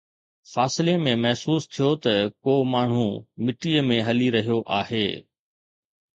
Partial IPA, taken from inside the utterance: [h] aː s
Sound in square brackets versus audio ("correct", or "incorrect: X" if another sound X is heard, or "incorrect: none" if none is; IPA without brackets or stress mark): incorrect: f